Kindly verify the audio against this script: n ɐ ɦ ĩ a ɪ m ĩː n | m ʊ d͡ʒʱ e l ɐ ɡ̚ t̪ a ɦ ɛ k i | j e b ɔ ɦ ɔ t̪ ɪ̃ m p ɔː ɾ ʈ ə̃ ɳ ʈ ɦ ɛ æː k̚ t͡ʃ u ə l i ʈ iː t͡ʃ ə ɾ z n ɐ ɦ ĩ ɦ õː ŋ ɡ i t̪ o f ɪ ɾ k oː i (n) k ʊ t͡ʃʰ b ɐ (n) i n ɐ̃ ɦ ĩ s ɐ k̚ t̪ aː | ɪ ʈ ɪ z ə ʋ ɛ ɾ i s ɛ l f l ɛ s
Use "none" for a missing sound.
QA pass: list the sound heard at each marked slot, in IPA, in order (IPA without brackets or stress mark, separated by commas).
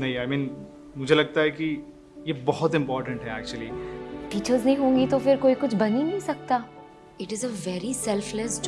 none, n